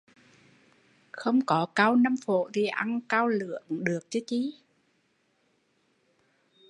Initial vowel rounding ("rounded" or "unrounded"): unrounded